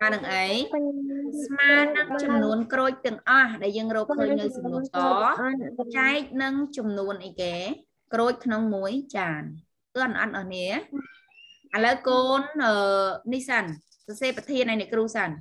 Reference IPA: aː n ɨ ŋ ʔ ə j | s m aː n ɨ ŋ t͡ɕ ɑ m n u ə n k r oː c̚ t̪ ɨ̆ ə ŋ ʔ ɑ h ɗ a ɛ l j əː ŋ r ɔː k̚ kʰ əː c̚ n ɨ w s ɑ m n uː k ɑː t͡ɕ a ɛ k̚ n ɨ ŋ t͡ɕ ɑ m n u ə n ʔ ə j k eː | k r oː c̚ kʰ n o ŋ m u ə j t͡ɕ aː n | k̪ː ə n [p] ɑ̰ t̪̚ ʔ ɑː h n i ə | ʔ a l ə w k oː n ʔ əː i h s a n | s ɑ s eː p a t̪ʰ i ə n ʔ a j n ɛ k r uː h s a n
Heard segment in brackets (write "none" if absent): ʔ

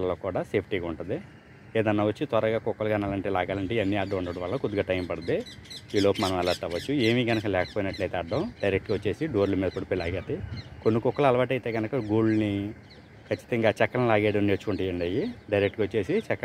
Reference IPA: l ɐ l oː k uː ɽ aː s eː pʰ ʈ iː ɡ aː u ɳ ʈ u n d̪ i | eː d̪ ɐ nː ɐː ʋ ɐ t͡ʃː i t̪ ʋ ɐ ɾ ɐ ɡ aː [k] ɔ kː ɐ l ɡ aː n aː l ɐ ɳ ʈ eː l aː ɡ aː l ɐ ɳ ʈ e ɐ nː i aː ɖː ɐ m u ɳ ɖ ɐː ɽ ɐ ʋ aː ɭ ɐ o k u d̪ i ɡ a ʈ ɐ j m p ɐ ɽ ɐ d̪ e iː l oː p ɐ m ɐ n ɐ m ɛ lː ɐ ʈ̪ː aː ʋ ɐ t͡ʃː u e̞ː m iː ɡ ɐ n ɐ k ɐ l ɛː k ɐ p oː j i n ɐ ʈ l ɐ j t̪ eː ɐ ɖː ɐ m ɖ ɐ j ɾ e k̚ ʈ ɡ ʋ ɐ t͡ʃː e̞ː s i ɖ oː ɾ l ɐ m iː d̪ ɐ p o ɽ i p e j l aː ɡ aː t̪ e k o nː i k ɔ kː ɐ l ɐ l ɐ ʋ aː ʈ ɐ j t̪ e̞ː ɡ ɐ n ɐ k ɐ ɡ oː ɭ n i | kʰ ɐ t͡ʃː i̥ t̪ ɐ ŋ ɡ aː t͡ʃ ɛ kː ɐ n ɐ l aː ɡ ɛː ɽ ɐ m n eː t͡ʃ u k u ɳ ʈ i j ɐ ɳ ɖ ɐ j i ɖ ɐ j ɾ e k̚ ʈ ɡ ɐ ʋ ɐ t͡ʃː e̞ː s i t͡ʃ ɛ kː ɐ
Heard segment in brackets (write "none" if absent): k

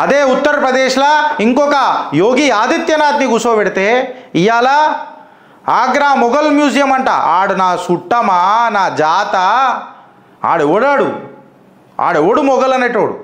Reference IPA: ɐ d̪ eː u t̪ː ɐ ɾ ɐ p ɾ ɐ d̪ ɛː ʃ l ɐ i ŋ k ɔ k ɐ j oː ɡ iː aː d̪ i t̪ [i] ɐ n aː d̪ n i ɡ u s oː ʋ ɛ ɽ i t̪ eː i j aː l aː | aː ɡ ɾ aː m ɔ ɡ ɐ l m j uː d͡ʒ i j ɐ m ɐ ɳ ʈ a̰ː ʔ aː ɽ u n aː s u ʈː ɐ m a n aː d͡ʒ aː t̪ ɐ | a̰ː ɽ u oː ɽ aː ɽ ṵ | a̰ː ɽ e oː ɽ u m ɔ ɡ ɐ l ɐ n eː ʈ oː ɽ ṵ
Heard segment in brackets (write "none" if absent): j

